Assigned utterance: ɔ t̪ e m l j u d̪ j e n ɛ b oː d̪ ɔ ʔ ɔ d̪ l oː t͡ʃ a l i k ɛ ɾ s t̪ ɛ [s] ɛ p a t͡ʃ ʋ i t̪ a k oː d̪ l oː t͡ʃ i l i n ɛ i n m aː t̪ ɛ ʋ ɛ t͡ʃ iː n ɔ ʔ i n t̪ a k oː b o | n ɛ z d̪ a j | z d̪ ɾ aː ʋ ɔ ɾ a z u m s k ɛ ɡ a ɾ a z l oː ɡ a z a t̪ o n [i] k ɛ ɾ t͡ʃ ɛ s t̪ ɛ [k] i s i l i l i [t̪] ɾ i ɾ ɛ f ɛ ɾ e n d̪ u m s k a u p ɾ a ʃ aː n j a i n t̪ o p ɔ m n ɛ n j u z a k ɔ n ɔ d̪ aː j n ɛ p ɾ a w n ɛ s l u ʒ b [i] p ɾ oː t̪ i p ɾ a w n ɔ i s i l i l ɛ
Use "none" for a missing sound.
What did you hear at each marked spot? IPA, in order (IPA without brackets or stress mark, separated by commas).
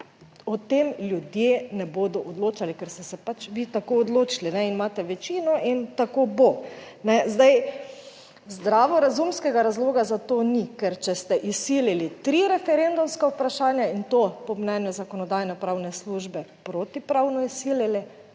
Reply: s, i, ʔ, t̪, ɛ